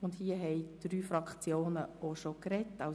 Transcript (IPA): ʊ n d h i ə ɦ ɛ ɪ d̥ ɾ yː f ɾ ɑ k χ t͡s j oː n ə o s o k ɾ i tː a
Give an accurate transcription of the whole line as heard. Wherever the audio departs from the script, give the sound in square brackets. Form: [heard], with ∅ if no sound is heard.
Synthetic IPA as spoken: ʊ n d h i ə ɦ ɛ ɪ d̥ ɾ yː f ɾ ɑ k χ t͡s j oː n ə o [ʃ] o k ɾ [ɛ] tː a